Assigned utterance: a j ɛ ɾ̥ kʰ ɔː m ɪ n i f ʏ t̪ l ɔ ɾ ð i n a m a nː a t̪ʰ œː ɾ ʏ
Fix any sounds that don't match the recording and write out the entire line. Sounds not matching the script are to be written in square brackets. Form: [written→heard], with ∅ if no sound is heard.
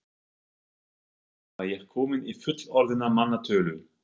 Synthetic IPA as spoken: a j ɛ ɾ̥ kʰ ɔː m ɪ n i f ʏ t̪ l ɔ ɾ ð [i→ɪ] n a m a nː a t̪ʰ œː [ɾ→l] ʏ